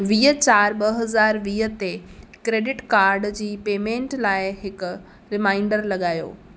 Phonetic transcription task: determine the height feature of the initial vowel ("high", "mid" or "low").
high